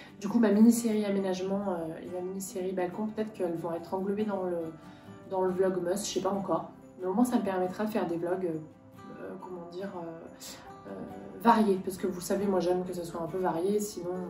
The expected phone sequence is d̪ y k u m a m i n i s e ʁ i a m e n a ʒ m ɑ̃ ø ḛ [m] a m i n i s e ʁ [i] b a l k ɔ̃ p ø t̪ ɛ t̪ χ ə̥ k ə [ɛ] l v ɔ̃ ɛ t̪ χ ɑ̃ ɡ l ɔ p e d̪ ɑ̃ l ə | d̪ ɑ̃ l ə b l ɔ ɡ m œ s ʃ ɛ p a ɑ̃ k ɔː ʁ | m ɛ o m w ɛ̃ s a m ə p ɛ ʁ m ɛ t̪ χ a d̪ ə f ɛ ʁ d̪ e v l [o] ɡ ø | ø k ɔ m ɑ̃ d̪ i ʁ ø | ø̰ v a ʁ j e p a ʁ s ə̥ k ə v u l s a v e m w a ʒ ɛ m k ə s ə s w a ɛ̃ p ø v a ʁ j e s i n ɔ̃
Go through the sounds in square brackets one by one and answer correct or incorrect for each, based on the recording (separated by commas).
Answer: correct, correct, correct, incorrect